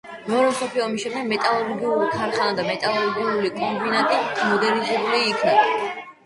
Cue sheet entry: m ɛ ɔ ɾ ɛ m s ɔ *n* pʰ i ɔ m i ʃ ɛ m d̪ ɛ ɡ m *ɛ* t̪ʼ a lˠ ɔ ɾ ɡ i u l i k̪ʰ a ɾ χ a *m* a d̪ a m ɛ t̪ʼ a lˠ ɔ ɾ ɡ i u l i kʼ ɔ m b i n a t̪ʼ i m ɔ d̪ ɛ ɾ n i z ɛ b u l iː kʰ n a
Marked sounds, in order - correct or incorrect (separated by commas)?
incorrect, correct, incorrect